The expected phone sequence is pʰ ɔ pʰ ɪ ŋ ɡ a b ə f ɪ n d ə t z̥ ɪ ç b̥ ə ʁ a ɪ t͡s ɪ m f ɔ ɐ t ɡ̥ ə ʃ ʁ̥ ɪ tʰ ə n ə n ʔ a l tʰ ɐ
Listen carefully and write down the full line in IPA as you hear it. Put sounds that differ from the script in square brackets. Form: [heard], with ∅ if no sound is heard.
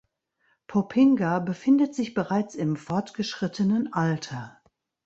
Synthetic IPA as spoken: pʰ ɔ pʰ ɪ ŋ ɡ a b ə f ɪ n d ə t z̥ ɪ ç b̥ ə ʁ a ɪ t͡s ɪ m f ɔ ɐ t ɡ̥ ə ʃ ʁ̥ ɪ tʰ ə n ə n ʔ a l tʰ ɐ